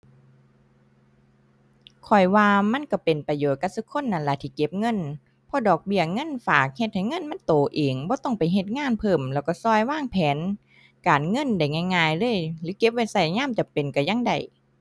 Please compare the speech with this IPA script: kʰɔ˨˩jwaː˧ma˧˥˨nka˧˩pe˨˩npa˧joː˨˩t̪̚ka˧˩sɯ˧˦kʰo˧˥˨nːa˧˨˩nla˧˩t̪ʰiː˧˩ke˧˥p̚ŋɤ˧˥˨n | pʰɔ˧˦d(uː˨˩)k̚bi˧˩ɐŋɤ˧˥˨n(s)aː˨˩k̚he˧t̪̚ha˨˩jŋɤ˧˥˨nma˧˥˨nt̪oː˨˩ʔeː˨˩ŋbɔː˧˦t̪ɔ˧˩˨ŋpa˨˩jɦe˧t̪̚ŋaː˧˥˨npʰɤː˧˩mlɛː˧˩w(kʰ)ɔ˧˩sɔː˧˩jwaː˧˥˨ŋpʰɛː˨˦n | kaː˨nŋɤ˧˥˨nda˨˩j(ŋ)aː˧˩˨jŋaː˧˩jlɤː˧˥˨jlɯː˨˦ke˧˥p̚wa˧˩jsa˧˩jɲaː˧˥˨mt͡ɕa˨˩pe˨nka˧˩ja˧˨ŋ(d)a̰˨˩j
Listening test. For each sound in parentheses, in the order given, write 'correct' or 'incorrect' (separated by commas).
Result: incorrect, incorrect, incorrect, correct, correct